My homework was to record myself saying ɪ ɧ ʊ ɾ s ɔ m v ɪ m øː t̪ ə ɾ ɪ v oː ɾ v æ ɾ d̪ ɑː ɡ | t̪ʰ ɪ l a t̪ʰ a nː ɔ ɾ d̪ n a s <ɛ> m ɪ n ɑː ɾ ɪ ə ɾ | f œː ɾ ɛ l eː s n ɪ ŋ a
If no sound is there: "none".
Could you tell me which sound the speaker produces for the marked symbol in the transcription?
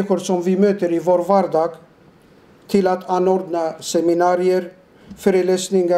ɛ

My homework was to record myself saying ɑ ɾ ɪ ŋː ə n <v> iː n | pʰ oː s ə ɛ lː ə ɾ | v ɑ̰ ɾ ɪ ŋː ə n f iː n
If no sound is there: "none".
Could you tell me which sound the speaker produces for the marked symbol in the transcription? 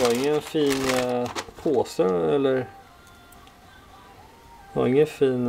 f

